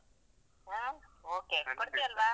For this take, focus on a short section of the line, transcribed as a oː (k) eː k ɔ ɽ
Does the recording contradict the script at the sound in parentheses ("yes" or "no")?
no